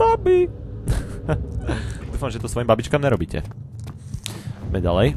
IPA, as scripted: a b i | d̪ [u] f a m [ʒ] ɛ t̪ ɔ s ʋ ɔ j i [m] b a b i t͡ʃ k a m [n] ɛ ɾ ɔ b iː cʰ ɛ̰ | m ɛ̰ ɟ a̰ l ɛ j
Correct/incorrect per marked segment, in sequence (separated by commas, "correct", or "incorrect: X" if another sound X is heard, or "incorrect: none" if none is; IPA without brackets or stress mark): incorrect: uː, correct, correct, incorrect: ɲ